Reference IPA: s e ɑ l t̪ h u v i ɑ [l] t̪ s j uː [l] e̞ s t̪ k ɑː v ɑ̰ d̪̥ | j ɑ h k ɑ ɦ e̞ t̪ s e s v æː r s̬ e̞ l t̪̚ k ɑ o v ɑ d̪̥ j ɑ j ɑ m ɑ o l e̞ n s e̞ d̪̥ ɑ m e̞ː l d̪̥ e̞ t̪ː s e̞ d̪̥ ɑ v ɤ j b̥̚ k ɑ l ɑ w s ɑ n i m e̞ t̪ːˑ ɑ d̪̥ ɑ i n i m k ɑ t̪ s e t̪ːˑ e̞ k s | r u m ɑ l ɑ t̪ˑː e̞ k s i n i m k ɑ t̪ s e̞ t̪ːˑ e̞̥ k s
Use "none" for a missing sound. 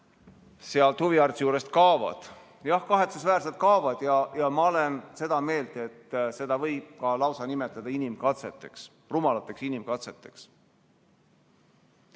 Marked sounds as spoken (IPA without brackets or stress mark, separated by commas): r, ɾ